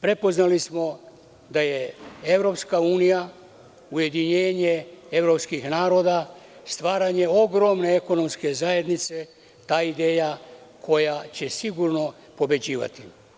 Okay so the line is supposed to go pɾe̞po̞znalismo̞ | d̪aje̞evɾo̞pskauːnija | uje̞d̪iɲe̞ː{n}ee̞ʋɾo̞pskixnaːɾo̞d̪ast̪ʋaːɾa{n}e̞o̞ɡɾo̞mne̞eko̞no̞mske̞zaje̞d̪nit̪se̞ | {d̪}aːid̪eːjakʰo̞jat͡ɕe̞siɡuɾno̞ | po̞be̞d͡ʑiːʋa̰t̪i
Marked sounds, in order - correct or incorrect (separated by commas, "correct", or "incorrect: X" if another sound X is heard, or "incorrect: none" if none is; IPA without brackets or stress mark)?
incorrect: ɲ, incorrect: ɲ, incorrect: t̪